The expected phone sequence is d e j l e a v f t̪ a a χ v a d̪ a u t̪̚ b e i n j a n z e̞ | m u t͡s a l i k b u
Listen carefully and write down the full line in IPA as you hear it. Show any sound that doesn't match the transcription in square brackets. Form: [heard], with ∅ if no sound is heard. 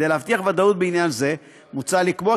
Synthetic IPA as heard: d e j l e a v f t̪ [i] a χ v a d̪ a u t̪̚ b e i n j a n z e̞ | m u t͡s a l i k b [o]